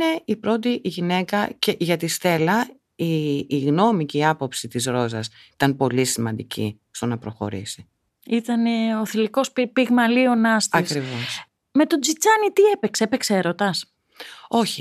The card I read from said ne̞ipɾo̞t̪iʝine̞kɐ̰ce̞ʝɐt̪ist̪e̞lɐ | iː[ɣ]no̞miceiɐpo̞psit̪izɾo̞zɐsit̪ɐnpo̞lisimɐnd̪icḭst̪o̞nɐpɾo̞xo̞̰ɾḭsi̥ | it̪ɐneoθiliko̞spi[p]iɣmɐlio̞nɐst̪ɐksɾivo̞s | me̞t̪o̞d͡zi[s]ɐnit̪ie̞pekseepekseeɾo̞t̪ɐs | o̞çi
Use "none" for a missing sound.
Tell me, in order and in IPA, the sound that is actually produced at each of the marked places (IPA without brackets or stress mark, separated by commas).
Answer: ɣ, p, t͡s